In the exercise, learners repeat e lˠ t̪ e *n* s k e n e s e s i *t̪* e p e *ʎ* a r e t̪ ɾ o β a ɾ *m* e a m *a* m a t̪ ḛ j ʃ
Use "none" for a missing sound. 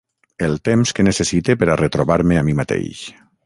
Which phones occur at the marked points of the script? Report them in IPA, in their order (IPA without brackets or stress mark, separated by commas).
m, t̪, ɾ, m, i